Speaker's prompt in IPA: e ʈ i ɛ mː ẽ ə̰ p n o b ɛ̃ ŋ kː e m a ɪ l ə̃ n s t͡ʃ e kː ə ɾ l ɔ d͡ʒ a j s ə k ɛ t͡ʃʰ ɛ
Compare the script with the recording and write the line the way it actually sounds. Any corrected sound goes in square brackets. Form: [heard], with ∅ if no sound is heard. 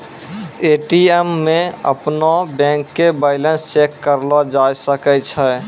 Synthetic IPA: e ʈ i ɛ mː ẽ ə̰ p n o b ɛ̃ ŋ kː e [b] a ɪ l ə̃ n s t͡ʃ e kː ə ɾ l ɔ d͡ʒ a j s ə k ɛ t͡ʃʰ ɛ